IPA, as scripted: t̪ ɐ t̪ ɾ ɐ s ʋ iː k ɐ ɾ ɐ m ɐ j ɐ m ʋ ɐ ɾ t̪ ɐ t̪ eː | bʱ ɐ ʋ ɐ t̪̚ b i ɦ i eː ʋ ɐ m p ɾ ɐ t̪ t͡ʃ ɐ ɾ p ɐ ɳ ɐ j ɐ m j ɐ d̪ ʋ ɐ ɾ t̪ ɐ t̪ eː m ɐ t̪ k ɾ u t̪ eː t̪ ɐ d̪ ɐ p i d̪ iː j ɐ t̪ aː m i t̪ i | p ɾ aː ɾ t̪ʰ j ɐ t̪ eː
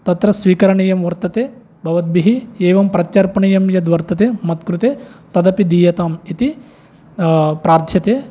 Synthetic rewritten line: t̪ ɐ t̪ ɾ ɐ s ʋ iː k ɐ ɾ ɐ ɳ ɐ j ɐ m ʋ ɐ ɾ t̪ ɐ t̪ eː | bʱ ɐ ʋ ɐ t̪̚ b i ɦ i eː ʋ ɐ m p ɾ ɐ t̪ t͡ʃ ɐ ɾ p ɐ ɳ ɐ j ɐ m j ɐ d̪ ʋ ɐ ɾ t̪ ɐ t̪ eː m ɐ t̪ k ɾ u t̪ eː t̪ ɐ d̪ ɐ p i d̪ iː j ɐ t̪ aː m i t̪ i | p ɾ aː ɾ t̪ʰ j ɐ t̪ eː